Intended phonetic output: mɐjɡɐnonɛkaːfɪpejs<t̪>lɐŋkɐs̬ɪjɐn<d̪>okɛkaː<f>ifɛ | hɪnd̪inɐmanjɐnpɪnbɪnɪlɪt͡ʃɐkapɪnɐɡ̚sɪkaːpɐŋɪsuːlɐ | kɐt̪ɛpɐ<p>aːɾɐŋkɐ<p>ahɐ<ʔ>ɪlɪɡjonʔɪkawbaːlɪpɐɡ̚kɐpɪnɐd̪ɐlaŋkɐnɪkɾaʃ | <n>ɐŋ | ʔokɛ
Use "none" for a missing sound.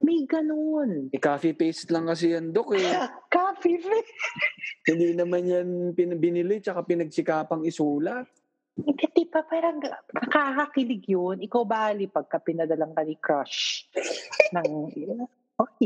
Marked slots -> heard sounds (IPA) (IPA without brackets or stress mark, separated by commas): t̪, d̪, f, p, k, k, n